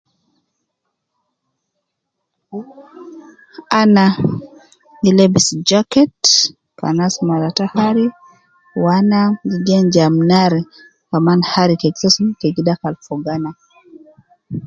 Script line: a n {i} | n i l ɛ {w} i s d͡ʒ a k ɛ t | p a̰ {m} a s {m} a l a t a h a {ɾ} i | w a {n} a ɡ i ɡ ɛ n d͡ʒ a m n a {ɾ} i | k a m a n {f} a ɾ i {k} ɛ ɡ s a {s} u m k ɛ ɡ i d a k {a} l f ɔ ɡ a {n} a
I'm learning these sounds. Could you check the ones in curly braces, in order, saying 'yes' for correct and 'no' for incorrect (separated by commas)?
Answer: no, no, no, yes, yes, yes, yes, no, yes, yes, yes, yes